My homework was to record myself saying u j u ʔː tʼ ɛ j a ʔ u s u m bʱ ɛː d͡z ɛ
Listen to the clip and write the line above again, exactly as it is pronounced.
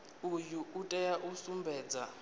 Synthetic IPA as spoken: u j u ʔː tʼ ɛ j a ʔ u s u m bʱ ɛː d͡z a